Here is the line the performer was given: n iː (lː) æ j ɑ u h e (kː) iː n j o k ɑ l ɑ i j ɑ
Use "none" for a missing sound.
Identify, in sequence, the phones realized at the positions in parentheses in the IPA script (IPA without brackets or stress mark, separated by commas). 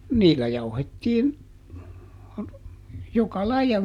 lː, tː